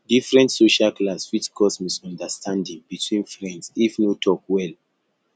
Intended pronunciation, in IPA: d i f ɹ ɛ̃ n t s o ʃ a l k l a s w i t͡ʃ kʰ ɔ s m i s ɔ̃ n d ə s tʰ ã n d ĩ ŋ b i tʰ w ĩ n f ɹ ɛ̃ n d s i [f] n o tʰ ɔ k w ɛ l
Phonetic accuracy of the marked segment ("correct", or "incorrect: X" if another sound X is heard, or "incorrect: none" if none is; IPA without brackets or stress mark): correct